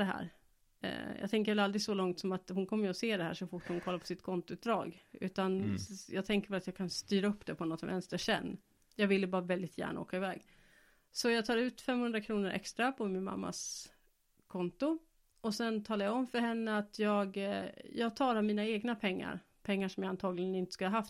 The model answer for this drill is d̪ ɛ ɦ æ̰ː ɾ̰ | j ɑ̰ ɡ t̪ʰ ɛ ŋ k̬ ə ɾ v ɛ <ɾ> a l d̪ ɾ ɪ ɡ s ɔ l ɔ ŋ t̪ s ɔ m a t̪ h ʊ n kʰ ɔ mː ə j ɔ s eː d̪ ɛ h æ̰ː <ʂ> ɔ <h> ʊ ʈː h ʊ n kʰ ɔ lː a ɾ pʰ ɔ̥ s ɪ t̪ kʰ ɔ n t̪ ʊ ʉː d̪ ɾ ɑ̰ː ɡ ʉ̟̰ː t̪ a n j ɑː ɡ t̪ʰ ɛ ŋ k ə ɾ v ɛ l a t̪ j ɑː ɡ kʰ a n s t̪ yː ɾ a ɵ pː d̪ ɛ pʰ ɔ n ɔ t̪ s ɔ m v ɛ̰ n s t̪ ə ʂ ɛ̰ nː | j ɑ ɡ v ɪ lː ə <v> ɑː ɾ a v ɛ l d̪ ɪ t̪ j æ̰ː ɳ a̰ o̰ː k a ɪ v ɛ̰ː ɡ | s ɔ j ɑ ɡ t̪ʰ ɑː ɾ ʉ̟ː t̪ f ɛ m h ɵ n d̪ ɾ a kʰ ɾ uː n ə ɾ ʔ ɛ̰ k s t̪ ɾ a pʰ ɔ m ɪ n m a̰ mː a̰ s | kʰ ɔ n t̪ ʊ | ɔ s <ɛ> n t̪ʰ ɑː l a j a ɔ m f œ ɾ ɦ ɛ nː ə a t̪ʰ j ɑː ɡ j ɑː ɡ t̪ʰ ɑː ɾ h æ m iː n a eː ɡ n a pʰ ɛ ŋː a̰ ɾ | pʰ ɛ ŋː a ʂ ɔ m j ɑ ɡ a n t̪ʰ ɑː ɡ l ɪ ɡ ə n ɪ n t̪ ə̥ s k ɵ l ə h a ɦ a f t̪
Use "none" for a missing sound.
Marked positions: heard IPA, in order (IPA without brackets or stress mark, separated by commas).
l, ʂ, f, b, ɛ